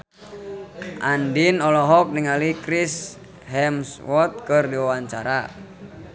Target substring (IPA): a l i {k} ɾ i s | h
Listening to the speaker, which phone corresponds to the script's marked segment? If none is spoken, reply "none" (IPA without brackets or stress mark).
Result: k